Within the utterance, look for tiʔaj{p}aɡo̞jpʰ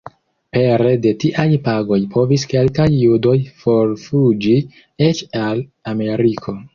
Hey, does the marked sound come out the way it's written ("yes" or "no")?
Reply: yes